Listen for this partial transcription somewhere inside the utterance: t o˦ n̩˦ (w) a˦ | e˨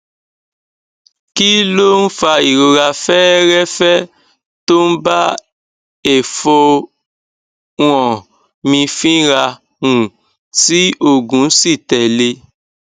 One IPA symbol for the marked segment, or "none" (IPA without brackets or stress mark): b